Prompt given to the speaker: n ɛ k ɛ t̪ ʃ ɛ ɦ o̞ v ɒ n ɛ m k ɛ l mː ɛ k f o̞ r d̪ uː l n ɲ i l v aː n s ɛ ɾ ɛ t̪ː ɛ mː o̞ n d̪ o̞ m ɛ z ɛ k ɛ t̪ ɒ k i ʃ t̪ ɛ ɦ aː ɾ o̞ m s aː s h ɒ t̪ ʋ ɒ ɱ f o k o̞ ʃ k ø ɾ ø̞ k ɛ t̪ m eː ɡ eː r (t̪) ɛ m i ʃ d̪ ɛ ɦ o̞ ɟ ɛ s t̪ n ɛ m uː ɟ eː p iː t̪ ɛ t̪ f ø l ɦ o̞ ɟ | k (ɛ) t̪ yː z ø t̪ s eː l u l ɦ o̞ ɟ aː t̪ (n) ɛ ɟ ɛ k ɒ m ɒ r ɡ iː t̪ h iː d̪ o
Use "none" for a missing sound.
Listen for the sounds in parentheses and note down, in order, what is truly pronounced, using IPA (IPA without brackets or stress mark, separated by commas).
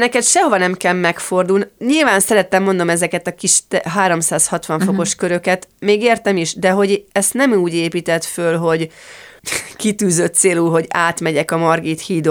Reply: t̪, i, m